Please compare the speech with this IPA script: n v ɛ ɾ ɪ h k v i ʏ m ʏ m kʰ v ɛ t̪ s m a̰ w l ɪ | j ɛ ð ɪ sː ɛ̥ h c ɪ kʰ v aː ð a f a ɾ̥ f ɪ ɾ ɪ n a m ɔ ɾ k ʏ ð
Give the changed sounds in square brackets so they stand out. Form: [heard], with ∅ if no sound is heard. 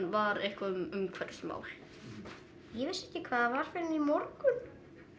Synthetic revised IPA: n v [a] ɾ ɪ h k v [a] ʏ m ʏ m kʰ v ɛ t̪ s m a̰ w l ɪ | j ɛ [v] ɪ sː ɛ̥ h c ɪ kʰ v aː ð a [v] a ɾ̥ f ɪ ɾ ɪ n [i] m ɔ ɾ k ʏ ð